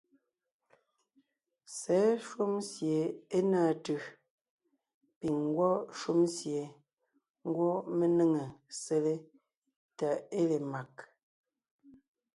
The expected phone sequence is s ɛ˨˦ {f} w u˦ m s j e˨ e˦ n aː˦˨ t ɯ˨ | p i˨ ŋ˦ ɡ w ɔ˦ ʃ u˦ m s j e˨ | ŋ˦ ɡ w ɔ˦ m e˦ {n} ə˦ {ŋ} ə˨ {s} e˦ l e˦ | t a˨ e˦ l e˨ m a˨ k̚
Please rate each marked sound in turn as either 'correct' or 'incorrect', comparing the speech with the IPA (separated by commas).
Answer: incorrect, correct, correct, correct